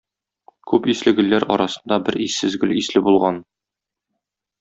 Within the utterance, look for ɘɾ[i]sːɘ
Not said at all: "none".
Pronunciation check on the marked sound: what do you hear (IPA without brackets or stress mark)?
i